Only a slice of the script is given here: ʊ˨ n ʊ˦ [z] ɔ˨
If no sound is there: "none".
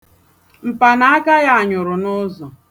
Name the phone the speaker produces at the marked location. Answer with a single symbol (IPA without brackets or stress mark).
z